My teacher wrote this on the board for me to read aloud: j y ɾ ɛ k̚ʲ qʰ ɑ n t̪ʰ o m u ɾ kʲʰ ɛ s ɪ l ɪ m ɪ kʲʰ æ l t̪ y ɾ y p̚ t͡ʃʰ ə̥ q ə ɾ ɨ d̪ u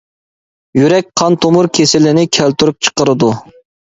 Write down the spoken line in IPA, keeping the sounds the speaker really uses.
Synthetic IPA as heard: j y ɾ ɛ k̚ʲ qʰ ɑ n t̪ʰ o m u ɾ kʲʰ e s ɪ l ɪ n ɪ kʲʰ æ l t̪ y ɾ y p̚ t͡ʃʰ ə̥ q ə ɾ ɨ d̪ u